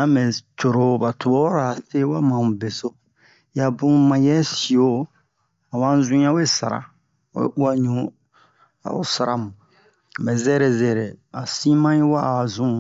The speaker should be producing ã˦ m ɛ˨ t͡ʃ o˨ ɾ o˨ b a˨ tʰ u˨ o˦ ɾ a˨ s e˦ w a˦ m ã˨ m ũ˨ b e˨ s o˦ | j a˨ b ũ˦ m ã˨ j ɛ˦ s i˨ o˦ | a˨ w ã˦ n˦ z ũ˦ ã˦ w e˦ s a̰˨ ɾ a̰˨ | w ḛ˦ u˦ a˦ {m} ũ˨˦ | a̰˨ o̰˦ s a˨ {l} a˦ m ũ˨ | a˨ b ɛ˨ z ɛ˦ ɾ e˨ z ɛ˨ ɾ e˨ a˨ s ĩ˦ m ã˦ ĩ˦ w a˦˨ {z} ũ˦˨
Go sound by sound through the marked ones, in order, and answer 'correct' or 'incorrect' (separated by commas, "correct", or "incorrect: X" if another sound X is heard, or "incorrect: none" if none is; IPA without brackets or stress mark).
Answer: incorrect: ɲ, incorrect: ɾ, correct